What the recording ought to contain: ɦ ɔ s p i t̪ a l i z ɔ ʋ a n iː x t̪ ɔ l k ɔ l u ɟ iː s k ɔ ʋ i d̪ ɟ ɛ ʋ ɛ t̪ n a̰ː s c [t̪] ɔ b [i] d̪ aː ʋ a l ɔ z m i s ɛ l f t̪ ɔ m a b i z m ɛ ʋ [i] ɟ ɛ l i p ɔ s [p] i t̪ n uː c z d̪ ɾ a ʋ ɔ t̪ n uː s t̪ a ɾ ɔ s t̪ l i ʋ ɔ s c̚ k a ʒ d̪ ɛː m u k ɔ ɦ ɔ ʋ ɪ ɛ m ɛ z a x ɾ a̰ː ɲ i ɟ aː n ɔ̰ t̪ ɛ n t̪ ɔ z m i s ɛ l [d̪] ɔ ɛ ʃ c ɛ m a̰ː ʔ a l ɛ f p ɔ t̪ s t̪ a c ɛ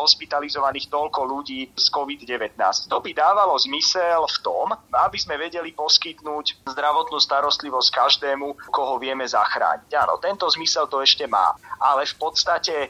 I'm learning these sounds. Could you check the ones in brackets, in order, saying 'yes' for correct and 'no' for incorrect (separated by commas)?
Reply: yes, yes, no, no, no